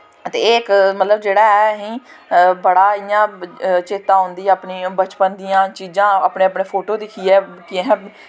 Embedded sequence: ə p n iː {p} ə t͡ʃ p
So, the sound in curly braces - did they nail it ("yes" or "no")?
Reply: no